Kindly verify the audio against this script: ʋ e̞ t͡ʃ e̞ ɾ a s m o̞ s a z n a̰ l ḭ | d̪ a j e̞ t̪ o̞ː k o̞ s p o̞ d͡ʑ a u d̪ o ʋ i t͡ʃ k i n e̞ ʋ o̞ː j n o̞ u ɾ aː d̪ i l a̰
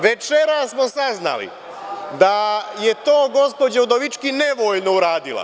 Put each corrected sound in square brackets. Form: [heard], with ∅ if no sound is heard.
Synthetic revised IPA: ʋ e̞ t͡ʃ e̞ ɾ a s m o̞ s a z n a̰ l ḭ | d̪ a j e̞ t̪ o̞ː [ɡ] o̞ s p o̞ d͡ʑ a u d̪ o ʋ i t͡ʃ k i n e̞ ʋ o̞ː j n o̞ u ɾ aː d̪ i l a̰